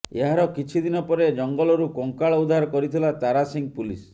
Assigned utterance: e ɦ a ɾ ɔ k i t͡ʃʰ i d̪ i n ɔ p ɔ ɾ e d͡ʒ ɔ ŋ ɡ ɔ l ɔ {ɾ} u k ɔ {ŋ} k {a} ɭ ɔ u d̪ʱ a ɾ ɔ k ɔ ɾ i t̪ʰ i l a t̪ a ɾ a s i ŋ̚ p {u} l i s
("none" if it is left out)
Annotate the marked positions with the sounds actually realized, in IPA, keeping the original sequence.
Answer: ɾ, ŋ, a, u

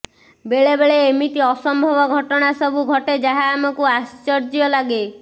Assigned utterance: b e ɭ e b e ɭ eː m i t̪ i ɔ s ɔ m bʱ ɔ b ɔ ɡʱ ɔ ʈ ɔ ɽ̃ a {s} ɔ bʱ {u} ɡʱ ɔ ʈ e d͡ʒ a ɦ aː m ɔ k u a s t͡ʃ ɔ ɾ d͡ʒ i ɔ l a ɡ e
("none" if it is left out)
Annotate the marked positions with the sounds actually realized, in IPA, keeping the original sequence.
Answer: s, u

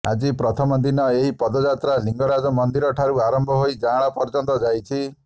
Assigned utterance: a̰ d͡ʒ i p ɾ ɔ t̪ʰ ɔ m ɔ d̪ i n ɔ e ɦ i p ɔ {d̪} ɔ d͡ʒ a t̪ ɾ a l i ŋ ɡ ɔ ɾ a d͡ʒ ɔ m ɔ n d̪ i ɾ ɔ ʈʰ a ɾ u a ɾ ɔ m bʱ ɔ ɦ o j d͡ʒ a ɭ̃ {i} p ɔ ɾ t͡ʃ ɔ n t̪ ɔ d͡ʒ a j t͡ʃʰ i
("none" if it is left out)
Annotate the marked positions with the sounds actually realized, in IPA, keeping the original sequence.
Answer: d̪, a

